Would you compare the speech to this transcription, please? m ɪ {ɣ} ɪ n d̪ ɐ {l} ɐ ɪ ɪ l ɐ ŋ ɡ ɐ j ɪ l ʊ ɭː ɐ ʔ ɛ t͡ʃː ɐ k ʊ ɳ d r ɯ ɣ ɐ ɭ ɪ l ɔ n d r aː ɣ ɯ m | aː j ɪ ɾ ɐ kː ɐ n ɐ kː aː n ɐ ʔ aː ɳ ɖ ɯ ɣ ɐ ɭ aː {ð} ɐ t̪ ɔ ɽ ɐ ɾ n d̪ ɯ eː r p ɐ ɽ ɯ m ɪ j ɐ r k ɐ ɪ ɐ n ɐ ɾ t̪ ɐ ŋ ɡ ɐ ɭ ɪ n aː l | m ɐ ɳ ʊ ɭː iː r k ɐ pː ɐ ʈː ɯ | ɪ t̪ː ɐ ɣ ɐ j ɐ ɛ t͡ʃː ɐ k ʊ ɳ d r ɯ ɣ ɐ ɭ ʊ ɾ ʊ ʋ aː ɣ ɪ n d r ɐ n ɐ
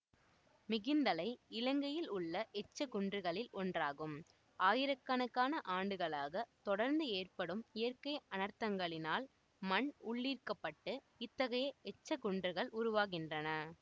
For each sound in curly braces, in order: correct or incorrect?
correct, correct, incorrect: ɣ

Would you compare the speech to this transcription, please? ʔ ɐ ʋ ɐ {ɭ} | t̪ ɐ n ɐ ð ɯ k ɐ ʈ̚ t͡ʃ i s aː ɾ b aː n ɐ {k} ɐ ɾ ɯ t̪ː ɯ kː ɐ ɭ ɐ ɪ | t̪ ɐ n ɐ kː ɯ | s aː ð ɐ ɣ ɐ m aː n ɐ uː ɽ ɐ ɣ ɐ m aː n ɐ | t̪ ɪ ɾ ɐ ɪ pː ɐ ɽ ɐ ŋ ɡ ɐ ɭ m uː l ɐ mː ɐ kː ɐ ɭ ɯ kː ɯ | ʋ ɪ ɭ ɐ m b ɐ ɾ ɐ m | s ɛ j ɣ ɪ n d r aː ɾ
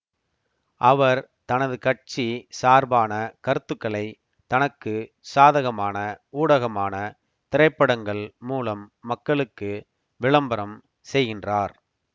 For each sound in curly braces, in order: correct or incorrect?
incorrect: ɾ, correct

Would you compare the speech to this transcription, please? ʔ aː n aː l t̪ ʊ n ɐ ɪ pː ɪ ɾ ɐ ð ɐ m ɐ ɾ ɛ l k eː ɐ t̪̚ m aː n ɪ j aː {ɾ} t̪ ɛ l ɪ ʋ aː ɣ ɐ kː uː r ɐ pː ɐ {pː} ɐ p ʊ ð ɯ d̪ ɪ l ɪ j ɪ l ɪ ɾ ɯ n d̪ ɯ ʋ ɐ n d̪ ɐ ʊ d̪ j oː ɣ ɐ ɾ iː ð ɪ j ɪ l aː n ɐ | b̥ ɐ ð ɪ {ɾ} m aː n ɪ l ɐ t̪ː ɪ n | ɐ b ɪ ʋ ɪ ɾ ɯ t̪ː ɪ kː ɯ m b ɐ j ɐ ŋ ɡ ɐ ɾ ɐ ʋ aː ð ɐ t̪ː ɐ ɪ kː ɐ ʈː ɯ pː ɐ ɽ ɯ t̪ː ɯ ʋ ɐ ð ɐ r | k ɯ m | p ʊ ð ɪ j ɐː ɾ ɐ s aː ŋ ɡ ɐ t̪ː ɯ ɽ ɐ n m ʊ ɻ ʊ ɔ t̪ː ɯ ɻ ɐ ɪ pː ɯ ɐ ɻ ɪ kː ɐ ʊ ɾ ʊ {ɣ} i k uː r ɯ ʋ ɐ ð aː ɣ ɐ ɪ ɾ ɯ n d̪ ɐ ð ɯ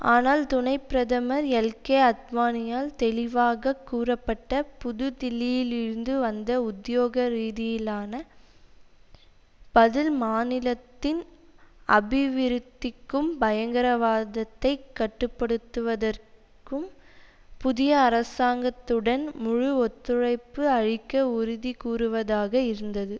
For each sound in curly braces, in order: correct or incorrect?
incorrect: l, incorrect: ʈː, incorrect: l, incorrect: ð

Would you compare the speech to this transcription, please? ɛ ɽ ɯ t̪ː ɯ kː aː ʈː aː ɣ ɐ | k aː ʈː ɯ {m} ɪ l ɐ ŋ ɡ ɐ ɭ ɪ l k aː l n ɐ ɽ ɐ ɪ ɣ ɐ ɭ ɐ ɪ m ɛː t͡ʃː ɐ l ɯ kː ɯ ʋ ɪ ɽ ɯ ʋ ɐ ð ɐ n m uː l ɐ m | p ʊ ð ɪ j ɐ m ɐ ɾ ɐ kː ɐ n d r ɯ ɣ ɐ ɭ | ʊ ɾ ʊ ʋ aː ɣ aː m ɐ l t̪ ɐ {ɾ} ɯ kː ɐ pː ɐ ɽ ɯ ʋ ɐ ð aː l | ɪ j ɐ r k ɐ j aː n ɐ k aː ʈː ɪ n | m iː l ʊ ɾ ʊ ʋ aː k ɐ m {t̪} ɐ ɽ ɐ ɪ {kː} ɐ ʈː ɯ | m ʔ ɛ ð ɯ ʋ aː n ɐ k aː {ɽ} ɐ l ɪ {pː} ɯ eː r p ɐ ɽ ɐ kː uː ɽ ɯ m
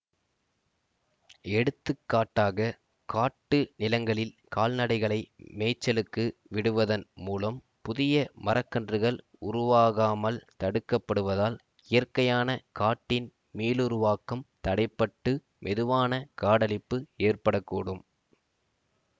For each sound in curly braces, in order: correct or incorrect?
incorrect: n, incorrect: ɽ, correct, incorrect: pː, correct, correct

